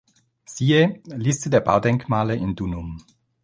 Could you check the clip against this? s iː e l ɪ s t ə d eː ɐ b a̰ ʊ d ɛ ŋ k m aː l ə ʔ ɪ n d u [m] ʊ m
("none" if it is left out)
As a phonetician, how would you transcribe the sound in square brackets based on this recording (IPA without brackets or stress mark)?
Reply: n